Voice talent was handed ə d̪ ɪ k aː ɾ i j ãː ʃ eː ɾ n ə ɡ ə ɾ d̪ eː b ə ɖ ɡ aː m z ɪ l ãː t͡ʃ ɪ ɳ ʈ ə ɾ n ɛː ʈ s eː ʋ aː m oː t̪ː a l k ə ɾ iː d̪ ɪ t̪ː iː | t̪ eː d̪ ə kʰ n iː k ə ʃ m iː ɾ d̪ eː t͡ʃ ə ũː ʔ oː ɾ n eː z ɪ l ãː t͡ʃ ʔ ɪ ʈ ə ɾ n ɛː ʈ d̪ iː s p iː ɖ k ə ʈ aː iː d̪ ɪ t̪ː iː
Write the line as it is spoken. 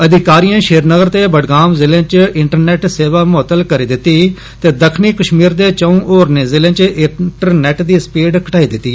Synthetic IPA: ə d̪ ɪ k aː ɾ i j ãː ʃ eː ɾ n ə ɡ ə ɾ t̪ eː b ə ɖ ɡ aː m z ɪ l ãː t͡ʃ ɪ ɳ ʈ ə ɾ n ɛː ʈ s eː ʋ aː m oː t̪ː ə l k ə ɾ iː d̪ ɪ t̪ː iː | t̪ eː d̪ ə kʰ n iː k ə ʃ m iː ɾ d̪ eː t͡ʃ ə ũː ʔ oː ɾ n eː z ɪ l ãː t͡ʃ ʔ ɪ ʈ ə ɾ n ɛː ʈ d̪ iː s p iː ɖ k ə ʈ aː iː d̪ ɪ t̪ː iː